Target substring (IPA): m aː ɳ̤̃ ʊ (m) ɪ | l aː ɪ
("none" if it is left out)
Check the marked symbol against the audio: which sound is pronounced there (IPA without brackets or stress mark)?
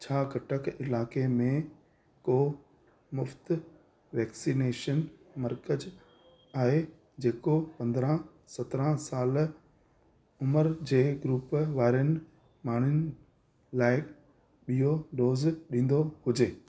n